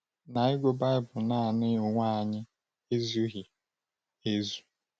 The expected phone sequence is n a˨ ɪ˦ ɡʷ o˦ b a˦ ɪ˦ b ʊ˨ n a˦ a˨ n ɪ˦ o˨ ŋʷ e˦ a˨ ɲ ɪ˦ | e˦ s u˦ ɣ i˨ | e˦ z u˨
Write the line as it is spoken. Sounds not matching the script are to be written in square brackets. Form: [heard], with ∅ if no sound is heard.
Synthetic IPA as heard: n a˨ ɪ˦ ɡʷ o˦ b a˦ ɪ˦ b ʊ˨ n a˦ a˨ n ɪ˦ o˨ ŋʷ [a˦] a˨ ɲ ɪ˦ | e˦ [z] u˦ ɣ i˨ | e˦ z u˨